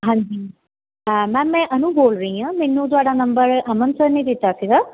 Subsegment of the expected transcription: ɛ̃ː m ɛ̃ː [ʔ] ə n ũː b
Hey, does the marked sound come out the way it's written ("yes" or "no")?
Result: yes